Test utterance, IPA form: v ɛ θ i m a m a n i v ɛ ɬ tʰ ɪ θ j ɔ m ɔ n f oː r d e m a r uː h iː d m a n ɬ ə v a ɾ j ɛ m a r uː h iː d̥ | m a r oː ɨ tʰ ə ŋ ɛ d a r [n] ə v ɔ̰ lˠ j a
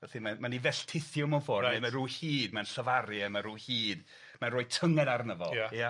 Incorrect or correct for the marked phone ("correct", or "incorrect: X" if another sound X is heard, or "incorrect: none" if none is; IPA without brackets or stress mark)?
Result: correct